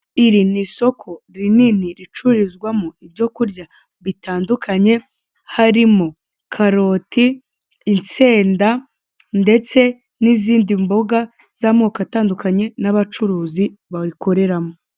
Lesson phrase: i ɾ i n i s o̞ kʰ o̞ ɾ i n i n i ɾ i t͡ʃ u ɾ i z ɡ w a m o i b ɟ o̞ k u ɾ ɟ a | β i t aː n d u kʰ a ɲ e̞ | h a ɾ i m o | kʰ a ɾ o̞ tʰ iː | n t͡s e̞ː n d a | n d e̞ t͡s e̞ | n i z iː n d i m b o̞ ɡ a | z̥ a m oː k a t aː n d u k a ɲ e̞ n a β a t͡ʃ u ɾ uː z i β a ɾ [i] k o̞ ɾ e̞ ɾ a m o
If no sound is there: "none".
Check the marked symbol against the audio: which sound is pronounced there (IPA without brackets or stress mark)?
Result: i